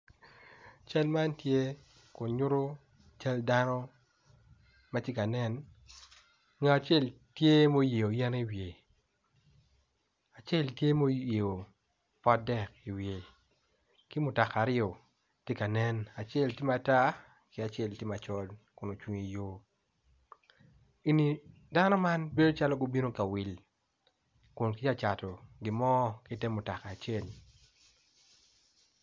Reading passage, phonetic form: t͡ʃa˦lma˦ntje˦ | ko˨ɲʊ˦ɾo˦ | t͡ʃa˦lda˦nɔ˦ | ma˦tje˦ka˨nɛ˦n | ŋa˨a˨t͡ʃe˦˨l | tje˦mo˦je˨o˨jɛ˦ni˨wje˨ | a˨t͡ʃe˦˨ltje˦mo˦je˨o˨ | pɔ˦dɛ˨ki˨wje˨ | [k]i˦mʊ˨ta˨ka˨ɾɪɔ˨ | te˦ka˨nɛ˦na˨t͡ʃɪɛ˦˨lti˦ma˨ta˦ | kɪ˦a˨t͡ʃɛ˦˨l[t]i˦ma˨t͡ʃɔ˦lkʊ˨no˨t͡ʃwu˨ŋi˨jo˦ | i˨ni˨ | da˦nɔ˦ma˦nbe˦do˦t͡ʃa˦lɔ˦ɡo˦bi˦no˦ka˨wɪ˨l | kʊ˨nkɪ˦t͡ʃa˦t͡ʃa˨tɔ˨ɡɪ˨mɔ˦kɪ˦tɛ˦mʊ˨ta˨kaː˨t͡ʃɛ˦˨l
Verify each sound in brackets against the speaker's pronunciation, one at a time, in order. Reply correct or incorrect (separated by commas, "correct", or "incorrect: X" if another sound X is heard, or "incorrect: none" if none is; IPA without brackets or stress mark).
correct, correct